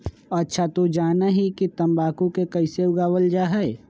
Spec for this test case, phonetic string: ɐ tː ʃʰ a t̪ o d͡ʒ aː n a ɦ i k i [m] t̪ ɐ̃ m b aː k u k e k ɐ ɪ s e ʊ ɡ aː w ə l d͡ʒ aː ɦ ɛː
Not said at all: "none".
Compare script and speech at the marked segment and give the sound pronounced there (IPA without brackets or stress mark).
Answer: none